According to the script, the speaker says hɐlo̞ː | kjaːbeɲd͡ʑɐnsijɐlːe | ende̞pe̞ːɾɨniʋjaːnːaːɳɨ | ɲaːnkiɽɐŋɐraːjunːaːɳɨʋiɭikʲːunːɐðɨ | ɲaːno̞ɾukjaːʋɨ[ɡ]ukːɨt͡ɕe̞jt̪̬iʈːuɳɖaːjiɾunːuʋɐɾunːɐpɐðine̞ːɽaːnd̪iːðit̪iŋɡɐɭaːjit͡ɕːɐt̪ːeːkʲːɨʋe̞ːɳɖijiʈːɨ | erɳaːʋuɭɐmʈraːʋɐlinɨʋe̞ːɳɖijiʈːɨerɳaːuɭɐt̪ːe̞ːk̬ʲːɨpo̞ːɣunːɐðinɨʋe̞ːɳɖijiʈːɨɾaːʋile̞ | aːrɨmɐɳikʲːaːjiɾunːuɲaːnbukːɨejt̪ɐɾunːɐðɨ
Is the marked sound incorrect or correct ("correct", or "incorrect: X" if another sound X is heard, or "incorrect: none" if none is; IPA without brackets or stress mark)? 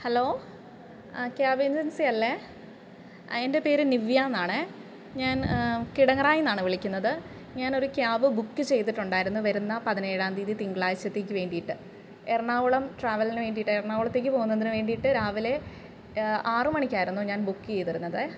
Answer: incorrect: b